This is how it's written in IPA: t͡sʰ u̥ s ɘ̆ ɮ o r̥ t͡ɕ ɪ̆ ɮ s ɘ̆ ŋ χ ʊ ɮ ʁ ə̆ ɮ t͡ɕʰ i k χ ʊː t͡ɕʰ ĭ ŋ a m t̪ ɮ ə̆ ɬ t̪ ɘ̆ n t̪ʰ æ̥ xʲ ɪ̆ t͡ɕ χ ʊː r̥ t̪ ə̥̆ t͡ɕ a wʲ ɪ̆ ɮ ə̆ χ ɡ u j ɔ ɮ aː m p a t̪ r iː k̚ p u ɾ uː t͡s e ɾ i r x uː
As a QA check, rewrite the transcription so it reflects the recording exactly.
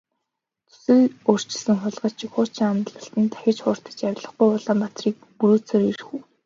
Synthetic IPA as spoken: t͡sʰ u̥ s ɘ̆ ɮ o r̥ t͡ɕ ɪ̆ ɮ s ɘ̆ ŋ χ ʊ ɮ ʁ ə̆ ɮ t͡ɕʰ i k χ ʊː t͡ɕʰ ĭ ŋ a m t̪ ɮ ə̆ ɬ t̪ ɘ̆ n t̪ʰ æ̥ xʲ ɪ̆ t͡ɕ χ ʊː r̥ t̪ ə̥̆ t͡ɕ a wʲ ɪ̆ ɮ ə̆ χ ɡ u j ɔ ɮ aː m p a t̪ r iː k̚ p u ɾ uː t͡s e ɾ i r x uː